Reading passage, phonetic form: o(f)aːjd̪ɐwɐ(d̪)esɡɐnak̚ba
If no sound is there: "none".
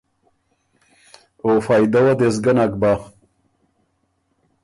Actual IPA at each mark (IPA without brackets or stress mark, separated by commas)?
f, d̪